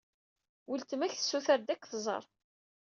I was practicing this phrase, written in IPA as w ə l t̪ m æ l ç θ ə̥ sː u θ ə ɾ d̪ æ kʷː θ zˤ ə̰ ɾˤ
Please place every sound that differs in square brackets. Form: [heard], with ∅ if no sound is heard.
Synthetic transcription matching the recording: w ə l t̪ m æ [∅] ç θ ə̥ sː u θ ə ɾ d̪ æ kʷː θ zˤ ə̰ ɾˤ